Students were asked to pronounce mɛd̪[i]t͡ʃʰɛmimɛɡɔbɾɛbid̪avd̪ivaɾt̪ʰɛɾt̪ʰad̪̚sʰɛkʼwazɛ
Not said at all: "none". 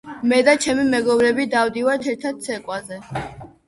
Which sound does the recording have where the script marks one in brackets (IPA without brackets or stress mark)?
a